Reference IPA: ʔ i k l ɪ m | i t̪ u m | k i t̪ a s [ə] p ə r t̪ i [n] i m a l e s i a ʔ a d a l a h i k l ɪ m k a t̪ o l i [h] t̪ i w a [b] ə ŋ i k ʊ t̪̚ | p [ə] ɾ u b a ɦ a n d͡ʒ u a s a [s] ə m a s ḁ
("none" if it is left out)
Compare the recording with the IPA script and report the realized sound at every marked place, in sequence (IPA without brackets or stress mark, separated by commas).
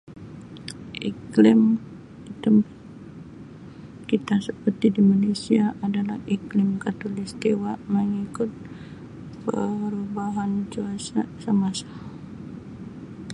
ə, d, s, m, ə, s